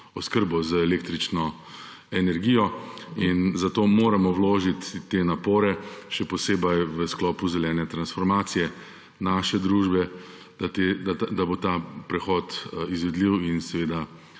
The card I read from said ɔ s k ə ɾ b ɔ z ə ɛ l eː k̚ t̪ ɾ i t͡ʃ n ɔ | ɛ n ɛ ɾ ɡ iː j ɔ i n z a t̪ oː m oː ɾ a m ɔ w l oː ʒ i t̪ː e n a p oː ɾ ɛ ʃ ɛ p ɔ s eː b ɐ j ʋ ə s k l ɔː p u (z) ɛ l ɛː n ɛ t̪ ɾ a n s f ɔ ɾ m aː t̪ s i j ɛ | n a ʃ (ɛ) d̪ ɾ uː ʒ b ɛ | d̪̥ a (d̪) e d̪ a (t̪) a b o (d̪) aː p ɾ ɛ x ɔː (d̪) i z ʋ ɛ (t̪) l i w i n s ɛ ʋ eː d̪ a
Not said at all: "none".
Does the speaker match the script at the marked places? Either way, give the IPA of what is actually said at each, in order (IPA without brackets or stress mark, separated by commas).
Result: z, ɛ, t̪, d̪, t̪, t̪, d̪